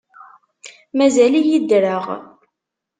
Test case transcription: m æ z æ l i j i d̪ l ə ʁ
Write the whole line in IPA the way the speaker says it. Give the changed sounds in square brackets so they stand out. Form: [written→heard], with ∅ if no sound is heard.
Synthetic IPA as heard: m æ z æ l i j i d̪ [l→ɾ] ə ʁ